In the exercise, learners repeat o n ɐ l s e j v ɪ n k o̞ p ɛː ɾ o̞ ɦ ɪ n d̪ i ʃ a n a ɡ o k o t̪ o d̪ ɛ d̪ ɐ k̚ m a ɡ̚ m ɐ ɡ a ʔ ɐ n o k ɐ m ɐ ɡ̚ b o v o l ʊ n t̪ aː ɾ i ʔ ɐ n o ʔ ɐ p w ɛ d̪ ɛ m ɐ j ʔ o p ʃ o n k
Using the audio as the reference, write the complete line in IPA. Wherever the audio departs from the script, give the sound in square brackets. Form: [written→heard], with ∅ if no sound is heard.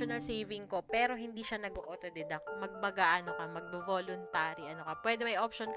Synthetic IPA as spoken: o n ɐ l s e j v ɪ [n→ŋ] k o̞ p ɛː ɾ o̞ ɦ ɪ n d̪ i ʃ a n [a→ɐ] ɡ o [k→ʔ] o t̪ o d̪ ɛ d̪ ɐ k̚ m [a→ɐ] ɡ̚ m ɐ ɡ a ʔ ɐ n o k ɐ m ɐ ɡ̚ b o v o l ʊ n t̪ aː ɾ i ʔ ɐ n o [ʔ→k] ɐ p w ɛ d̪ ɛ m ɐ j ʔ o p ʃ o n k